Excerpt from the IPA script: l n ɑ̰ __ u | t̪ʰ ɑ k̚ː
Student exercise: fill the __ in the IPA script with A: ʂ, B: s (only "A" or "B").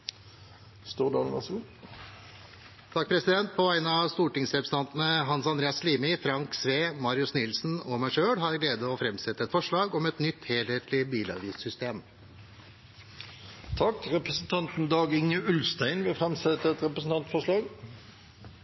B